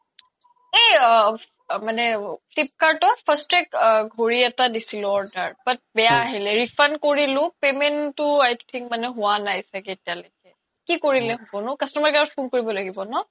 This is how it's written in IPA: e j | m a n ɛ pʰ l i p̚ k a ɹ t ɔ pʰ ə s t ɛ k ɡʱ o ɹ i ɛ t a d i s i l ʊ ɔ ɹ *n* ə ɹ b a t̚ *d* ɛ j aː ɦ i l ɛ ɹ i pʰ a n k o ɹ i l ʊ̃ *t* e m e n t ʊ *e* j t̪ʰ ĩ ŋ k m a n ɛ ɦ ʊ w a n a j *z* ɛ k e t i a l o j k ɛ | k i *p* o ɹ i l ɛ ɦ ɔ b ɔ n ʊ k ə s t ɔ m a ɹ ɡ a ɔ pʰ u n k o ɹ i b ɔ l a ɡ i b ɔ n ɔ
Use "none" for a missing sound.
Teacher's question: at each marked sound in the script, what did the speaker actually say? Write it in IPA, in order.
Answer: d, b, p, a, s, k

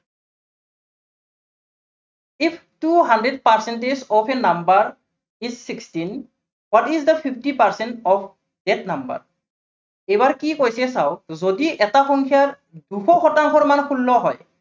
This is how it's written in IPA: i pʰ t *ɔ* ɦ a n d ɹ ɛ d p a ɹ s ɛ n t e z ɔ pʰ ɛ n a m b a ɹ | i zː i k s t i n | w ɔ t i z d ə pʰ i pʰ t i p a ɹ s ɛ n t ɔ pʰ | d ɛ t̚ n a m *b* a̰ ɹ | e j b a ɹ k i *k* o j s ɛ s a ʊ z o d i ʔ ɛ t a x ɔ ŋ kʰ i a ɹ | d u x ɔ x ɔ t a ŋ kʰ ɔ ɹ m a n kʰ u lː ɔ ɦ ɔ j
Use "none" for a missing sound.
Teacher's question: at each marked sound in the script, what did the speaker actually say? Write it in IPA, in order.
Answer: u, b, k

